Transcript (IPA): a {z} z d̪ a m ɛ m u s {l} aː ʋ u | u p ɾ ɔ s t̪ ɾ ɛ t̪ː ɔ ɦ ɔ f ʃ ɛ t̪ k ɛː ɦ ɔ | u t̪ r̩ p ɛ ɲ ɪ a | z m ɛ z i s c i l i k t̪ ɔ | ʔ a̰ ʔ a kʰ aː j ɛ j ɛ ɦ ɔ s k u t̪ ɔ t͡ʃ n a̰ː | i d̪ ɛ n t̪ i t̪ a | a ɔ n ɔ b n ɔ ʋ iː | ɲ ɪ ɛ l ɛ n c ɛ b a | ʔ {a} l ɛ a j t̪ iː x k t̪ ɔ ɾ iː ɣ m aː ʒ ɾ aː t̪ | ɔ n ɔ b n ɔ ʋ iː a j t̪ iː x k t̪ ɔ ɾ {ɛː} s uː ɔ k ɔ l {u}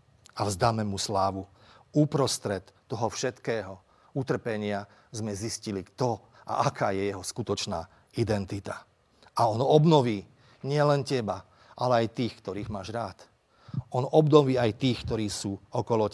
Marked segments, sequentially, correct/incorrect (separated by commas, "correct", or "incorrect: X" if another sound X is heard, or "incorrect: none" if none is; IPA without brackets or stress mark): incorrect: v, correct, correct, incorrect: iː, incorrect: ɔ